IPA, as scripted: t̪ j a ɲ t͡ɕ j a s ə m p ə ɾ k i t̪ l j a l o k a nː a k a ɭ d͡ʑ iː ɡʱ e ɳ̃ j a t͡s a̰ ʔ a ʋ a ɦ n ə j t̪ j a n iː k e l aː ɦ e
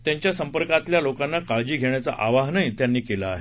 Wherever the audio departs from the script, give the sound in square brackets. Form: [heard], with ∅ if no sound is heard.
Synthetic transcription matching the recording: t̪ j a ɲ t͡ɕ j a s ə m p ə ɾ k [a] t̪ l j a l o k a nː a k a ɭ d͡ʑ iː ɡʱ e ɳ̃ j a t͡s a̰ ʔ a ʋ a ɦ n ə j t̪ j a [nː] iː k e l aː ɦ e